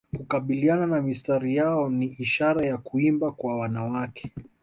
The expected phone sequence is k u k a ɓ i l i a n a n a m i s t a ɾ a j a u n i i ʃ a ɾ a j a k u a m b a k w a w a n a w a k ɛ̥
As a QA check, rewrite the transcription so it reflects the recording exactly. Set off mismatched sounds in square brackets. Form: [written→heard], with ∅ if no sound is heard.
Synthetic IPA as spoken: k u k a ɓ i l i a n a n a m i s t a ɾ [a→i] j a [u→ɔ] n i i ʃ a ɾ a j a k u [a→i] m b a k w a w a n a w a k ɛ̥